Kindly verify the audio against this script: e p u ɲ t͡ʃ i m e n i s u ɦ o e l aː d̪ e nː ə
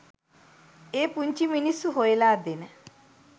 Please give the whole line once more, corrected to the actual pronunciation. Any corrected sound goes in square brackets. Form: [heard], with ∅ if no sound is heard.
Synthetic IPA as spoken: e p u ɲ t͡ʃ i m [i] n i s u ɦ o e l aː d̪ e [n] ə